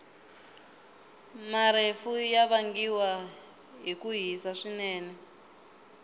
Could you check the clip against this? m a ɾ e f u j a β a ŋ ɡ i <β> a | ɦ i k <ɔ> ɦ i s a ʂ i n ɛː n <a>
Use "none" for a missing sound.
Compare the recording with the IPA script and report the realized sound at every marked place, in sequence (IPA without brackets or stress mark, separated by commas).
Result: w, u, ɛ